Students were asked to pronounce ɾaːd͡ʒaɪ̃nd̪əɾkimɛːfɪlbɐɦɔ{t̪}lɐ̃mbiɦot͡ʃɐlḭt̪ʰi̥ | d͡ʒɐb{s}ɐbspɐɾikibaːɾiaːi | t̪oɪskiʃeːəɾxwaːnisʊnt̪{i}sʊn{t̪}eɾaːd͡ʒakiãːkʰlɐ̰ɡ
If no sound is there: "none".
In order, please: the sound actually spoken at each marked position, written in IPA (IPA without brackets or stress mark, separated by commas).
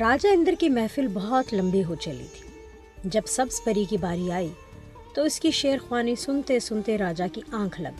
t̪, s, e, t̪